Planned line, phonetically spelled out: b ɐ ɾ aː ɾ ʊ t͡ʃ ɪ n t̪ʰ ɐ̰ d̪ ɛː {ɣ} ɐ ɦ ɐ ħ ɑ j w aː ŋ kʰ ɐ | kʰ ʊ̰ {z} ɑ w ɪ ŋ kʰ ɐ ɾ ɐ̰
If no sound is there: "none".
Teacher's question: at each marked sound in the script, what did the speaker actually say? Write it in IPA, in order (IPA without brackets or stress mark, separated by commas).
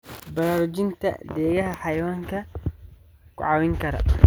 ɣ, ʕ